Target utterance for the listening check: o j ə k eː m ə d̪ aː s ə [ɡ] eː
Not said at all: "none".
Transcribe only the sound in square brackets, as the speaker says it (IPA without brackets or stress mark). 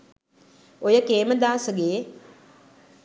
ɡ